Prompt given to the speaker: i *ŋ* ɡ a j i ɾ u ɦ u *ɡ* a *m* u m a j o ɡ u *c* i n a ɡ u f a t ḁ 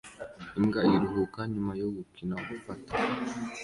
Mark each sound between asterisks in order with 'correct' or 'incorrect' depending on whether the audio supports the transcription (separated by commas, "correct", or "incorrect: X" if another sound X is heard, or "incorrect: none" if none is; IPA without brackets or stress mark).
incorrect: m, incorrect: k, incorrect: ɲ, incorrect: k